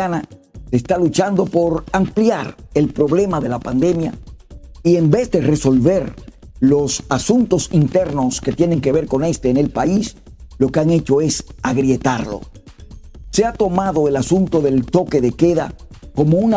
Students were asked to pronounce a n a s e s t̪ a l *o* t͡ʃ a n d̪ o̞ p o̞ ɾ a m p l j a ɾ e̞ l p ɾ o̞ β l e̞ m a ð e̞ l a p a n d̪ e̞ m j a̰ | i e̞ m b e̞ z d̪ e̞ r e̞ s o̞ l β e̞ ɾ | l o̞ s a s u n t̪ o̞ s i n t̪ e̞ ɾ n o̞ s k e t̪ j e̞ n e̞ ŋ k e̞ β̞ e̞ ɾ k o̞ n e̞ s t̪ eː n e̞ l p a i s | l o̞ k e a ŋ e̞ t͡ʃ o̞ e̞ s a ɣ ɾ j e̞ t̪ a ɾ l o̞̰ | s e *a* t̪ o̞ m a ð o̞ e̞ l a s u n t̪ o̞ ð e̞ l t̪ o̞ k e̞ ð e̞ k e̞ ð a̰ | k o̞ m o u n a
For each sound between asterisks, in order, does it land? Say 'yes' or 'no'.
no, yes

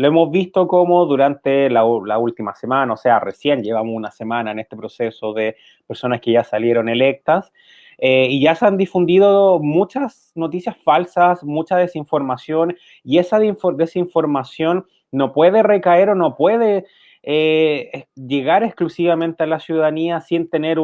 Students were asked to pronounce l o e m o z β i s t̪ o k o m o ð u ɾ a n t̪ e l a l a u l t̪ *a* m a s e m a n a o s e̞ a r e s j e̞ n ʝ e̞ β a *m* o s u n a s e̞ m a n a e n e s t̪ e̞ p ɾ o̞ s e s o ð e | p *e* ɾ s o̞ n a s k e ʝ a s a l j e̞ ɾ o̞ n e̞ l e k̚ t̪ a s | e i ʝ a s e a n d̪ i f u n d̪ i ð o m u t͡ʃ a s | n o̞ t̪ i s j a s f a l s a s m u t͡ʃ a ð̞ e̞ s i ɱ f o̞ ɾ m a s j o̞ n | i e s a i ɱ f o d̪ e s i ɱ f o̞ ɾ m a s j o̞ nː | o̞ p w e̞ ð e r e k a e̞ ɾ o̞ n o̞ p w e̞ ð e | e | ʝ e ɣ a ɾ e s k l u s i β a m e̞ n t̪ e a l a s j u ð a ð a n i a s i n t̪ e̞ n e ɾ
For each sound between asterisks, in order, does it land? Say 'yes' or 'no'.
no, yes, yes

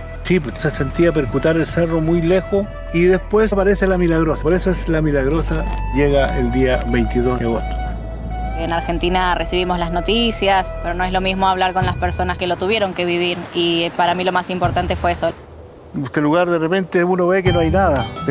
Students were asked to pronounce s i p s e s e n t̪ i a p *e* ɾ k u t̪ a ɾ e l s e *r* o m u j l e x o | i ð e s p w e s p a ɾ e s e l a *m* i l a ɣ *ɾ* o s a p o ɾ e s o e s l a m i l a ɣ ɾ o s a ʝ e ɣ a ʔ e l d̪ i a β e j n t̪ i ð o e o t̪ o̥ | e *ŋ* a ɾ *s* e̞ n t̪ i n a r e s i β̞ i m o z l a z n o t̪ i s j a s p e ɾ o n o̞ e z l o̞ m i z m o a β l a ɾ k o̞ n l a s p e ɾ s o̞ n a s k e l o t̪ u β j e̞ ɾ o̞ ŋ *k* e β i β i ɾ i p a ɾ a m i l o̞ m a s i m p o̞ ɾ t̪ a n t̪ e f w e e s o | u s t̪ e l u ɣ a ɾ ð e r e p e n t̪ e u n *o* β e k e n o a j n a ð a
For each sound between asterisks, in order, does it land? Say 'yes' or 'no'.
yes, yes, yes, yes, no, no, yes, yes

